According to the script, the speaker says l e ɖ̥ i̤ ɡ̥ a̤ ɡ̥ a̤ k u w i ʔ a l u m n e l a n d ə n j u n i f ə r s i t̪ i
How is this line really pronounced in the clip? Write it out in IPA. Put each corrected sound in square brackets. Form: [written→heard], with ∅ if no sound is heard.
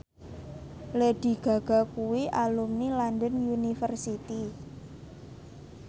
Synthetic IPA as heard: l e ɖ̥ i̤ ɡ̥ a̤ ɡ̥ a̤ k u w i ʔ a l u m n [e→i] l a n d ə n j u n i f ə r s i t̪ i